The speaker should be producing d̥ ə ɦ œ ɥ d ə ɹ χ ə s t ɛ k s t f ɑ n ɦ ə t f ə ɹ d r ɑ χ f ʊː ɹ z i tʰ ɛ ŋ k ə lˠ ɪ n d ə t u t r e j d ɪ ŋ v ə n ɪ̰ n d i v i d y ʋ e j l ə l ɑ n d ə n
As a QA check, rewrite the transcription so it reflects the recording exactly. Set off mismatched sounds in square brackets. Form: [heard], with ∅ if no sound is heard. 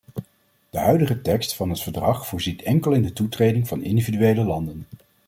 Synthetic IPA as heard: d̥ ə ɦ œ ɥ d ə [∅] χ ə [∅] t ɛ k s t f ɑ n ɦ ə t f ə ɹ d r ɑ χ f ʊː ɹ z i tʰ ɛ ŋ k ə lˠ ɪ n d ə t u t r e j d ɪ ŋ v [ɑ] n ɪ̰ n d i v i d y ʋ e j l ə l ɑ n d ə n